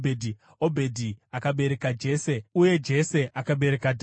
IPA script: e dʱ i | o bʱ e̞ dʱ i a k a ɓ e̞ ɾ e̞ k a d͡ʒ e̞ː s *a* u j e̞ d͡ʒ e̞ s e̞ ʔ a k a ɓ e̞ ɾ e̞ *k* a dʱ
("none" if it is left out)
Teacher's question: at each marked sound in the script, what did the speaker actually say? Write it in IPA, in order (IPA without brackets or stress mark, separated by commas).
e, k